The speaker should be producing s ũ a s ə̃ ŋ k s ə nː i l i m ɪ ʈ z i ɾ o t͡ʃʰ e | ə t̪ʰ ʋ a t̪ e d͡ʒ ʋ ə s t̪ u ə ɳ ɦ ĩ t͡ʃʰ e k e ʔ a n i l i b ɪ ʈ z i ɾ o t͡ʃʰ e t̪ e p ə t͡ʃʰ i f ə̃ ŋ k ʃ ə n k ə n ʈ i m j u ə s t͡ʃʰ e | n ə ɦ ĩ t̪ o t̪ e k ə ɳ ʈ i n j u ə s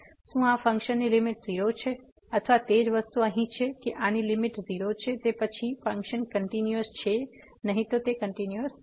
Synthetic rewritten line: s ũ a f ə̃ ŋ k ʃ ə nː i l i m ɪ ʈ z i ɾ o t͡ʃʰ e | ə t̪ʰ ʋ a t̪ e d͡ʒ ʋ ə s t̪ u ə ɦ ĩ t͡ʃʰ e k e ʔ a n i l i m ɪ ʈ z i ɾ o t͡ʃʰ e t̪ e p ə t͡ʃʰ i f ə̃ ŋ k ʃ ə n k ə ɳ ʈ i n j u ə s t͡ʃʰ e | n ə ɦ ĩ t̪ o t̪ e k ə ɳ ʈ i n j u ə s